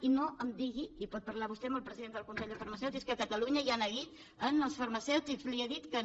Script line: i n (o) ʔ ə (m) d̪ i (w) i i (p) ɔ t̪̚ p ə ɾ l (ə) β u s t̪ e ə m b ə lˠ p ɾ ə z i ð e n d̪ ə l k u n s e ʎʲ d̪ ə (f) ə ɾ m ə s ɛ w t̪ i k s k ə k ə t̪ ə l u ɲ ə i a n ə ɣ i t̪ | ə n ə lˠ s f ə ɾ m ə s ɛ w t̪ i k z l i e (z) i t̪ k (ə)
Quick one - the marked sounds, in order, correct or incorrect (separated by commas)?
correct, correct, incorrect, correct, incorrect, correct, incorrect, correct